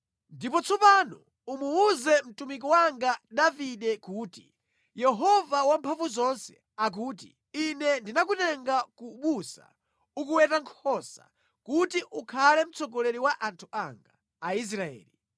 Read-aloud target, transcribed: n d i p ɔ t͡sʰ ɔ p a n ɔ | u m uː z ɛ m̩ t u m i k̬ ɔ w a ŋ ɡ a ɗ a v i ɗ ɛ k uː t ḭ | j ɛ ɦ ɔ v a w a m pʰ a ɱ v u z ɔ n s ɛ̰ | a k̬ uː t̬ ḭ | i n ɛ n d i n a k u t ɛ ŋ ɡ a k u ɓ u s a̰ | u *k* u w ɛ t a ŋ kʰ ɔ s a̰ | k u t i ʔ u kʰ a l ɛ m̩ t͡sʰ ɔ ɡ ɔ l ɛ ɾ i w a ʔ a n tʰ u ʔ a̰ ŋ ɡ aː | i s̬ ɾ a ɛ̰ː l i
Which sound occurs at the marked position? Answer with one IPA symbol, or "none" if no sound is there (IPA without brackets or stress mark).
k